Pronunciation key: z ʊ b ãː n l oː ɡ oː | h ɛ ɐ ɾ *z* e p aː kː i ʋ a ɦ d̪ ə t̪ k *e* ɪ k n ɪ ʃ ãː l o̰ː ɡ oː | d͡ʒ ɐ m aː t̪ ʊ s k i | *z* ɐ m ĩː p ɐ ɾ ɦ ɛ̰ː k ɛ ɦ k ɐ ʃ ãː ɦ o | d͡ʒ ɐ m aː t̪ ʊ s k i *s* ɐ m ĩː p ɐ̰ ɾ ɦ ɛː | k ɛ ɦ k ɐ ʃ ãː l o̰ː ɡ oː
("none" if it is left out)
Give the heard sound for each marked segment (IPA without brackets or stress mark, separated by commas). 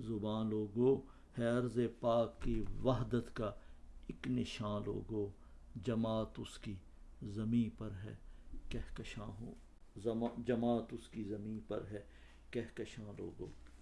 z, a, z, z